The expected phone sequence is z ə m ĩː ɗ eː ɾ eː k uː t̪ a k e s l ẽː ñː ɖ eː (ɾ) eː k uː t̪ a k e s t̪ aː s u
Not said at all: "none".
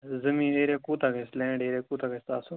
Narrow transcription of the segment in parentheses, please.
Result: ɾ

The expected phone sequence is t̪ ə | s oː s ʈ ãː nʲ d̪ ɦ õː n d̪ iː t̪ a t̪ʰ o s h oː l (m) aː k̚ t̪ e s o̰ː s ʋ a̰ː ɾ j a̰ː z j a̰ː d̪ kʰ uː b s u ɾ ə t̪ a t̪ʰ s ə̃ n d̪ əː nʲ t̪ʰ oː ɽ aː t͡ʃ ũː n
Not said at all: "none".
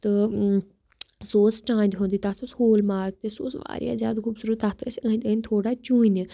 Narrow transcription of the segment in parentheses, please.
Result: m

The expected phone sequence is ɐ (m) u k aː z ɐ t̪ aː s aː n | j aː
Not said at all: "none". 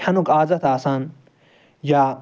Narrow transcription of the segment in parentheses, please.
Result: n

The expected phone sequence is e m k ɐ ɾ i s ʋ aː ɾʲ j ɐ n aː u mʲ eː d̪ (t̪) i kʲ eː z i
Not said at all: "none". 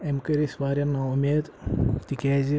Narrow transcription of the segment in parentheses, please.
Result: t̪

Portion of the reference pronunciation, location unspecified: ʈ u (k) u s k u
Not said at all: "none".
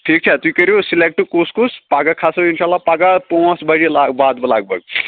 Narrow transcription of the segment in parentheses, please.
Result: k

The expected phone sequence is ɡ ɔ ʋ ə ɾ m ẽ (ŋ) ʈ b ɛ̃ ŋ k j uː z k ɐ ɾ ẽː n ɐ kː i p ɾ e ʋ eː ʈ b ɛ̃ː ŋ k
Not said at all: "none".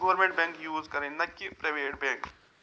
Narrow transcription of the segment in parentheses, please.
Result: ɳ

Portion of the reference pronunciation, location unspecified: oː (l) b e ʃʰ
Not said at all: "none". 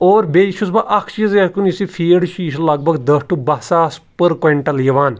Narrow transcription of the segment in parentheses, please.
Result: ɾ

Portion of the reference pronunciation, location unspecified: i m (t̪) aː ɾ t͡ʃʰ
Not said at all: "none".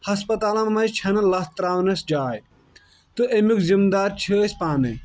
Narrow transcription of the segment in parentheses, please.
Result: d̪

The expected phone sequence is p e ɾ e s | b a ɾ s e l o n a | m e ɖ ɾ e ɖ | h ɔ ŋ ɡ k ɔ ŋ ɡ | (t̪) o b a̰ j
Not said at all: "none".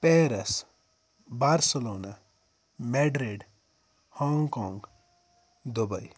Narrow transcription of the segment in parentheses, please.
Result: d̪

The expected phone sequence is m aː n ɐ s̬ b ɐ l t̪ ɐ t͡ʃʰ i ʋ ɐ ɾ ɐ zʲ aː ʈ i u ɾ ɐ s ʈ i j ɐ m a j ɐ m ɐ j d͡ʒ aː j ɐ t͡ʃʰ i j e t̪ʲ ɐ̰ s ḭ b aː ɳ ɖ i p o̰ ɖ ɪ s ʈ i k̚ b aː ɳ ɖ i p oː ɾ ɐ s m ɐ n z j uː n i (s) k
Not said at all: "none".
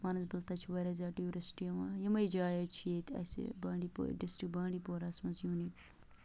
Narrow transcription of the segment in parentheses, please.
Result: none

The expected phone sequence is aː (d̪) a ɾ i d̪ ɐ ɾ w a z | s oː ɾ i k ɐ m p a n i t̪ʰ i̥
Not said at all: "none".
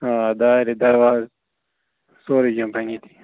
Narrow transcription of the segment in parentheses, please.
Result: d̪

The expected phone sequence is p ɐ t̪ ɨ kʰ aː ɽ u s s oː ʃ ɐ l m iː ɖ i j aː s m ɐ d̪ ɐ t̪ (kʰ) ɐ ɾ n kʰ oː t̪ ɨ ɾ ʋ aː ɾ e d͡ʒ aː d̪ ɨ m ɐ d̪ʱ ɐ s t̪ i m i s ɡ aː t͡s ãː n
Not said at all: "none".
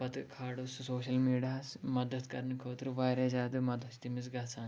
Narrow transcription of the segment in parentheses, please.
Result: k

